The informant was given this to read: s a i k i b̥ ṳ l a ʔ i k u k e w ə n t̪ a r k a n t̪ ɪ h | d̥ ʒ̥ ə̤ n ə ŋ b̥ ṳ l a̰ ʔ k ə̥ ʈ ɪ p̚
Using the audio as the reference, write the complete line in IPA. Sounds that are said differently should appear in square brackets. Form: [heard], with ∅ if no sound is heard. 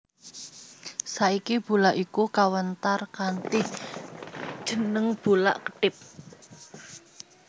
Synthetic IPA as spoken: s a i k i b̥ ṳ l a ʔ i k u k [a] w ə n t̪ a r k a n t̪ ɪ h | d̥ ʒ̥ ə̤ n ə ŋ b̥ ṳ l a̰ ʔ k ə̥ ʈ ɪ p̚